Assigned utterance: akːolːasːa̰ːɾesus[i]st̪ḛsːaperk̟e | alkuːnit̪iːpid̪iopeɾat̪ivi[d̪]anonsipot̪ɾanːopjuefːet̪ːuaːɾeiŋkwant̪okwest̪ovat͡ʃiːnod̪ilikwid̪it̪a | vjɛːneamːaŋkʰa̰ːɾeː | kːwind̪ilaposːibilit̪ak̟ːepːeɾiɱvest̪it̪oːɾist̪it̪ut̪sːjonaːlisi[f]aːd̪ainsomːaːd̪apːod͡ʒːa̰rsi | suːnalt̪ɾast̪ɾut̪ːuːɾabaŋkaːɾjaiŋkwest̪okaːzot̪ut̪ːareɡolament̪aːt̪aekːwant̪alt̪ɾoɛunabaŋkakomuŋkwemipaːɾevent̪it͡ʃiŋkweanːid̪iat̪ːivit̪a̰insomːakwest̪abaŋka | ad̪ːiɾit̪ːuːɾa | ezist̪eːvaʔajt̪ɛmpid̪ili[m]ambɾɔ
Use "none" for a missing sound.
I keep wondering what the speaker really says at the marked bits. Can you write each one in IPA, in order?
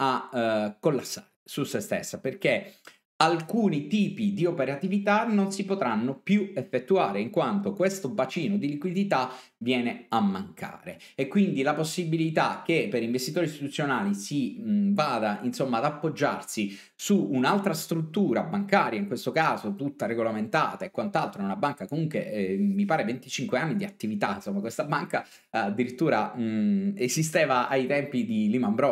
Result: e, t̪, v, m

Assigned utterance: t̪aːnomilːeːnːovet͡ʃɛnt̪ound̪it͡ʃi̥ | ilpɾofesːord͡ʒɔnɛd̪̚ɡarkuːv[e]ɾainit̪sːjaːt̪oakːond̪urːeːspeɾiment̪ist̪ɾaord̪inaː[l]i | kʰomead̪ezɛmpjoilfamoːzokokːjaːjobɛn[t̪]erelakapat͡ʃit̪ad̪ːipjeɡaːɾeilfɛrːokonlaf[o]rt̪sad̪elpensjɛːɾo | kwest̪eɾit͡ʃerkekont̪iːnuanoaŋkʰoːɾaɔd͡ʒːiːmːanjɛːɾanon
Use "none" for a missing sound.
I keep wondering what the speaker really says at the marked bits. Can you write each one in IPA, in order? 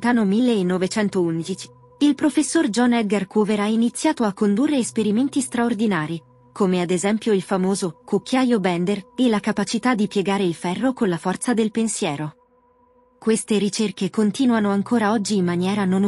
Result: e, ɾ, d̪, ɔ

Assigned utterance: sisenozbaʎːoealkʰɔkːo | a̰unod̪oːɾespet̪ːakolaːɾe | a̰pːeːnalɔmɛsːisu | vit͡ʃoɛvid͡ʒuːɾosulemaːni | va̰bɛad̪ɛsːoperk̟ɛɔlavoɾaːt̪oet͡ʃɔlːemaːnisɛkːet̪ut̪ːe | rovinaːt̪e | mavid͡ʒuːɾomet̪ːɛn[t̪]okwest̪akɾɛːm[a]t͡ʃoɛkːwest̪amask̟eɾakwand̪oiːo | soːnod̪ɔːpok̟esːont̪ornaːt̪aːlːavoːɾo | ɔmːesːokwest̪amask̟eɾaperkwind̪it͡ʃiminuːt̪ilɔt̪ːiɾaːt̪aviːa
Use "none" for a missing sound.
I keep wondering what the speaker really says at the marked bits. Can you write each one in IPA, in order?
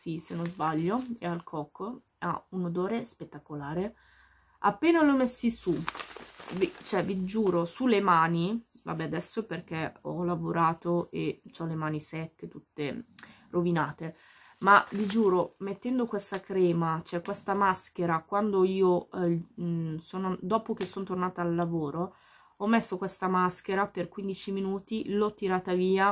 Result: d̪, a

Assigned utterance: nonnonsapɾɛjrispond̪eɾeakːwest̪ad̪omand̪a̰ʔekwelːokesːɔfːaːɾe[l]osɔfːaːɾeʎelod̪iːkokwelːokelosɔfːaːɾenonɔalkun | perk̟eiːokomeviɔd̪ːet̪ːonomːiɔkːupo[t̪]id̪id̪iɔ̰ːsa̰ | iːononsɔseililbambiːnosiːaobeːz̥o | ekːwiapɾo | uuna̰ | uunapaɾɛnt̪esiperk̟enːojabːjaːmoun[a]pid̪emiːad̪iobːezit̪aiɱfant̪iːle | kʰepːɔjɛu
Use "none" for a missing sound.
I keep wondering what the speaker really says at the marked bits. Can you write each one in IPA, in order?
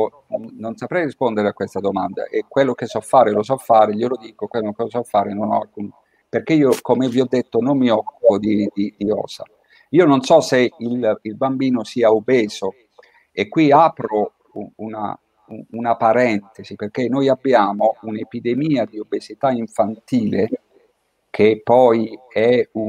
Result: l, d̪, e

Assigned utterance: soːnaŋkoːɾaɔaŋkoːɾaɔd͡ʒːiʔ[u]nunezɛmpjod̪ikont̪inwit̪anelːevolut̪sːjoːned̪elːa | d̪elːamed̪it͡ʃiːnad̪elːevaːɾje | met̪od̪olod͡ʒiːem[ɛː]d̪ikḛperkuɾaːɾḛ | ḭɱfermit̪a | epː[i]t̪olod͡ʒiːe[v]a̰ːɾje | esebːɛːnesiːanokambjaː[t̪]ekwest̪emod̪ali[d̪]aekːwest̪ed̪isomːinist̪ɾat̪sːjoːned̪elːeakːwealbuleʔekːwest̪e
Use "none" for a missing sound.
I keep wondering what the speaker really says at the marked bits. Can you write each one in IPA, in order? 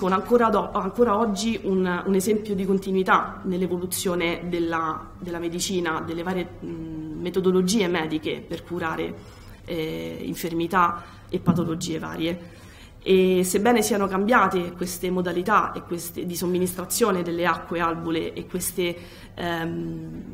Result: u, ɛː, a, v, t̪, t̪

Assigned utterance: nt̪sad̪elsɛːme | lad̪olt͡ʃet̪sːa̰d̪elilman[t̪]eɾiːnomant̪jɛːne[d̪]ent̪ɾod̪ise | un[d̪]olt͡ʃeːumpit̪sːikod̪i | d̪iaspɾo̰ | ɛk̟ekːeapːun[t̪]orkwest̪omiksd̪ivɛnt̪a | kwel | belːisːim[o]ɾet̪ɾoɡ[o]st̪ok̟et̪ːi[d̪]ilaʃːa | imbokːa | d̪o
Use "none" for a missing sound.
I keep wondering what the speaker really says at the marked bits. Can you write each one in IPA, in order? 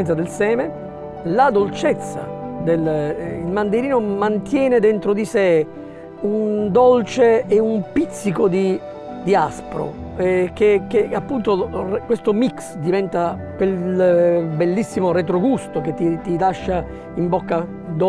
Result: d̪, d̪, d̪, t̪, o, u, t̪

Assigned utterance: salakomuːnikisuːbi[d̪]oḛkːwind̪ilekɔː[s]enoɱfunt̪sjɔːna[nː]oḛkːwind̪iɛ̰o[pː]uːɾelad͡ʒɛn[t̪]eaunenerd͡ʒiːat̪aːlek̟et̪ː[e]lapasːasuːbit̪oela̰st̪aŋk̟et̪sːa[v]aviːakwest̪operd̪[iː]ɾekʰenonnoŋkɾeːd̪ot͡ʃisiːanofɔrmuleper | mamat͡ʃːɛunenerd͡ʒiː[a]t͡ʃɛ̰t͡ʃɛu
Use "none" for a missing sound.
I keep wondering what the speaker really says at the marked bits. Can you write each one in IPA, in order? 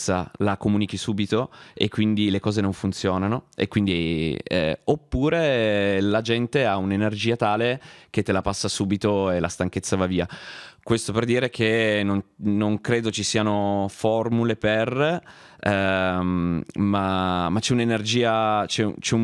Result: t̪, z, n, pː, t̪, e, v, iː, a

